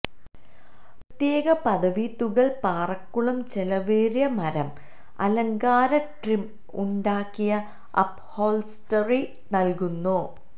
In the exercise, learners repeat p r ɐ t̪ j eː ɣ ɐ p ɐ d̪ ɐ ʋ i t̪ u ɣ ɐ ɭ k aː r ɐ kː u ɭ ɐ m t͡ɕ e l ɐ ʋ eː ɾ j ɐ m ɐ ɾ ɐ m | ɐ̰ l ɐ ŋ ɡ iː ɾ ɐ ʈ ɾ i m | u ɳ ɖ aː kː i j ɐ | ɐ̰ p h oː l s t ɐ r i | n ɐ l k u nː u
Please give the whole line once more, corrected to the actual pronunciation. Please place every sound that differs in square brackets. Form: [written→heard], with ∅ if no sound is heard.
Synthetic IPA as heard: p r ɐ t̪ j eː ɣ ɐ p ɐ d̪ ɐ ʋ i t̪ u ɣ ɐ ɭ [k→p] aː r ɐ kː u ɭ ɐ m t͡ɕ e l ɐ ʋ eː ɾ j ɐ m ɐ ɾ ɐ m | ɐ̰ l ɐ ŋ ɡ [iː→aː] ɾ ɐ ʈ [ɾ→r] i m | u ɳ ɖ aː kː i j ɐ | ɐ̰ p h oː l s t ɐ r i | n ɐ l k u nː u